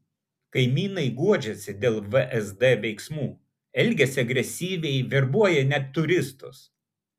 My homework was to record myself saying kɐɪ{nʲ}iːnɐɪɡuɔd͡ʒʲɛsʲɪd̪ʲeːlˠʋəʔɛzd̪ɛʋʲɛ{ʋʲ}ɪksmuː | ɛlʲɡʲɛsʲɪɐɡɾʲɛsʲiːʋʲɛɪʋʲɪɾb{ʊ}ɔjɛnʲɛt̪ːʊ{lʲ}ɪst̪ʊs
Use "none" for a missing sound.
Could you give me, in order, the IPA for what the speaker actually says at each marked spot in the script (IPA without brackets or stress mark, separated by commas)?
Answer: mʲ, none, u, ɾʲ